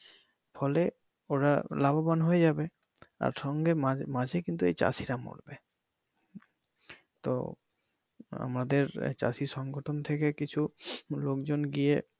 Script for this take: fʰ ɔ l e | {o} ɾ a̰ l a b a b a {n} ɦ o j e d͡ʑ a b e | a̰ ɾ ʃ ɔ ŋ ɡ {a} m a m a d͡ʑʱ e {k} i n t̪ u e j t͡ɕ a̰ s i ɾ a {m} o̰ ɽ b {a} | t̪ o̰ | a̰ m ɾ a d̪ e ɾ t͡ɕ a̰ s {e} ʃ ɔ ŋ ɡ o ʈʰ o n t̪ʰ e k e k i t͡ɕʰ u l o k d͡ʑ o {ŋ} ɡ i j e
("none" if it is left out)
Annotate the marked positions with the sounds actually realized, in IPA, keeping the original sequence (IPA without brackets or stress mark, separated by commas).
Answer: o, n, e, k, m, e, i, n